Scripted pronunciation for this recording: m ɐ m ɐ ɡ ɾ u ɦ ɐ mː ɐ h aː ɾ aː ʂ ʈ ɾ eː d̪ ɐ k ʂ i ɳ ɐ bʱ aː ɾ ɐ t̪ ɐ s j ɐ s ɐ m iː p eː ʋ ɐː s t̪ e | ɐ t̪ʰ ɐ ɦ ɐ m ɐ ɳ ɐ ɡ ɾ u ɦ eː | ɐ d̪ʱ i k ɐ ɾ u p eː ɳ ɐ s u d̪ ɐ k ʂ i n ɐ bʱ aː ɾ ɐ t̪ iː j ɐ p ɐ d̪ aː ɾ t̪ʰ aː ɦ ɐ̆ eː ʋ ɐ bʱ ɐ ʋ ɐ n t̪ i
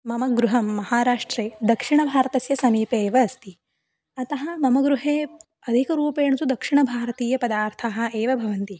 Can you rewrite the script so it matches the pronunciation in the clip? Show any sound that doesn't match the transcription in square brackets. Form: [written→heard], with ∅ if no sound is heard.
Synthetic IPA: m ɐ m ɐ ɡ ɾ u ɦ ɐ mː ɐ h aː ɾ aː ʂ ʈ ɾ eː d̪ ɐ k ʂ i ɳ ɐ bʱ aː ɾ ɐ t̪ ɐ s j ɐ s ɐ m iː p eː ʋ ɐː s t̪ [e→i] | ɐ [t̪ʰ→t̪] ɐ ɦ ɐ m ɐ [ɳ→m] ɐ ɡ ɾ u ɦ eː | ɐ d̪ʱ i k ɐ ɾ [u→uː] p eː ɳ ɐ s u d̪ ɐ k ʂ i [n→ɳ] ɐ bʱ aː ɾ ɐ t̪ iː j ɐ p ɐ d̪ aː ɾ t̪ʰ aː ɦ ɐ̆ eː ʋ ɐ bʱ ɐ ʋ ɐ n t̪ i